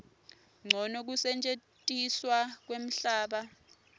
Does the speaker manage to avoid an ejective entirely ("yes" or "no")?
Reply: no